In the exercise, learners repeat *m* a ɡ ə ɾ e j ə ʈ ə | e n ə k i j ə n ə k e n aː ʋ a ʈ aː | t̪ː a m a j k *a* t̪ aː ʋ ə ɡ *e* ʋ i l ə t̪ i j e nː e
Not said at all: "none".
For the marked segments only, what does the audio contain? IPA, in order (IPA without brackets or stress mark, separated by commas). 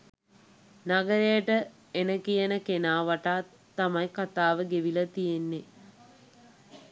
n, a, e